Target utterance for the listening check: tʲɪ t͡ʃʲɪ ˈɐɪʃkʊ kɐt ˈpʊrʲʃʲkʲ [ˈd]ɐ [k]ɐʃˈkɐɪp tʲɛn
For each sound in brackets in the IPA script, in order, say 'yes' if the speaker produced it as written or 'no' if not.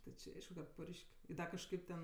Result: yes, yes

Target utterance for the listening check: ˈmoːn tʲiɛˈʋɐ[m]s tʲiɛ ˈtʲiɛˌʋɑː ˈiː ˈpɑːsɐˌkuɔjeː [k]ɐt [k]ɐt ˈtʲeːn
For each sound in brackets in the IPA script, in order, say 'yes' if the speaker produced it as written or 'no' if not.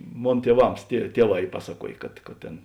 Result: yes, yes, yes

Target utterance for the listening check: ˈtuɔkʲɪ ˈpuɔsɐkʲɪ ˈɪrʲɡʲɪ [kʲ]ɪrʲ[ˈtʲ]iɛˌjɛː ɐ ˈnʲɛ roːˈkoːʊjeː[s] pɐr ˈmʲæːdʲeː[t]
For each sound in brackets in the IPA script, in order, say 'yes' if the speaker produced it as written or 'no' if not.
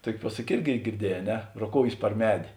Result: no, no, yes, no

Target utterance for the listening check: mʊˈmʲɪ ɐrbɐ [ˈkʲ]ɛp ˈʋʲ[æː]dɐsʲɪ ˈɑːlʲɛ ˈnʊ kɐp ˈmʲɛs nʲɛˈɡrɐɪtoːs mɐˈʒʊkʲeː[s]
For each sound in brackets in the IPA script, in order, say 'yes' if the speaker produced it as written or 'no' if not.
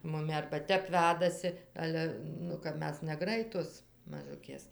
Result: no, yes, yes

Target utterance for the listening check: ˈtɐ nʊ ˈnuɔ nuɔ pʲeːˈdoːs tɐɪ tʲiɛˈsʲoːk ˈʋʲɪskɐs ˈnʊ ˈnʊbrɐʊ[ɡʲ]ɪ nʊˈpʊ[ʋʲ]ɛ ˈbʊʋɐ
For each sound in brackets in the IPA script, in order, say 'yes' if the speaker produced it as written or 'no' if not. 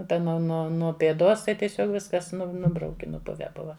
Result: no, yes

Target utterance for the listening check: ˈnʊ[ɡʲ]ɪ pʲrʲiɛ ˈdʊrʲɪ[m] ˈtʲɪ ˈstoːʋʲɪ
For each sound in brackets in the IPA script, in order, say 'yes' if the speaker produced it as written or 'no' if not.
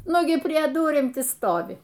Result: yes, yes

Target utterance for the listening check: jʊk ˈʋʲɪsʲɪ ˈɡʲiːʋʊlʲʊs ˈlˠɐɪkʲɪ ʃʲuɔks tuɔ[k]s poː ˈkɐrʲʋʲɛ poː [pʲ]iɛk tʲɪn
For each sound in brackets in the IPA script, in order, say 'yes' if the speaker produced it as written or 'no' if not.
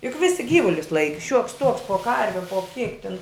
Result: yes, no

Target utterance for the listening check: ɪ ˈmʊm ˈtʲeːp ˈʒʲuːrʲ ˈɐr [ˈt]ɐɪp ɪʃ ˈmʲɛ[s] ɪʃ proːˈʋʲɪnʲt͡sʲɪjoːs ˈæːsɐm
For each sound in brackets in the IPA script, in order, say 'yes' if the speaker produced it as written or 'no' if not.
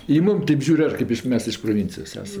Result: no, yes

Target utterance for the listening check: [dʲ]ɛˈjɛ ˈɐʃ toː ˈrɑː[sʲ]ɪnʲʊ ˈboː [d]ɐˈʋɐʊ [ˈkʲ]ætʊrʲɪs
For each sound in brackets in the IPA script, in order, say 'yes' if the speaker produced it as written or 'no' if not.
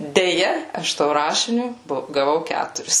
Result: yes, no, no, yes

